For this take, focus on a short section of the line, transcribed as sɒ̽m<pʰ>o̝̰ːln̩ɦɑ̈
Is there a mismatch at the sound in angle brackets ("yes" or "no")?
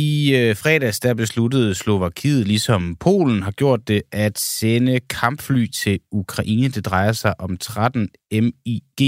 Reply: no